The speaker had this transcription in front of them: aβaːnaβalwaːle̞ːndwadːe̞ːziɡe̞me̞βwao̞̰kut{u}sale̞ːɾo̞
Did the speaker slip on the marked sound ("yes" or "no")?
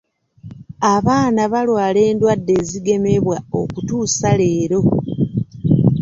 yes